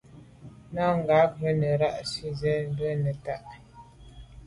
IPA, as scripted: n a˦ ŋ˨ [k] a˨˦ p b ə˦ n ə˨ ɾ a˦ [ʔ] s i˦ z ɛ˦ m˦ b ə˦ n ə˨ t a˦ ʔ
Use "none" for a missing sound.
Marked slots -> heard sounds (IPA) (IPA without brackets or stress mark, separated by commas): ɡ, ʔ